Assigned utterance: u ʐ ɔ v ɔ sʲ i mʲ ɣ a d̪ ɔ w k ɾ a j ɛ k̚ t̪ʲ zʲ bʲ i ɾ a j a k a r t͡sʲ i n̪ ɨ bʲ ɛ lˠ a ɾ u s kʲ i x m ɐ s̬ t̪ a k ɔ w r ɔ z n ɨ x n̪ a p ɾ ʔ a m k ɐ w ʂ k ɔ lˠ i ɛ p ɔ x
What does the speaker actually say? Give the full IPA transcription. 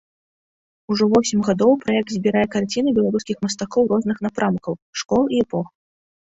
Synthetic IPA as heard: u ʐ ɔ v ɔ sʲ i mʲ ɣ a d̪ ɔ w p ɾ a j ɛ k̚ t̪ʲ zʲ bʲ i ɾ a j ɛ k a r t͡sʲ i n̪ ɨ bʲ ɛ lˠ a ɾ u s kʲ i x m ɐ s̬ t̪ a k ɔ w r ɔ z n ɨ x n̪ a p ɾ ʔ a m k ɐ w ʂ k ɔ lˠ i ɛ p ɔ x